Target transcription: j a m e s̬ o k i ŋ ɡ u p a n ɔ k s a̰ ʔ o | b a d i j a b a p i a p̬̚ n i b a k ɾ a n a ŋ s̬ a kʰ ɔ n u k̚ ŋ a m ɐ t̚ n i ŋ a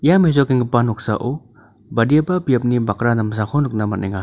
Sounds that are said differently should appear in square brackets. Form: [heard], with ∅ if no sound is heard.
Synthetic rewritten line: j a m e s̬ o k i ŋ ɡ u p a n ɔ k s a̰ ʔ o | b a d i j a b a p i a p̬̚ n i b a k ɾ a n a [m] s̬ a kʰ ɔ n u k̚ [n] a m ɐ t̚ n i ŋ a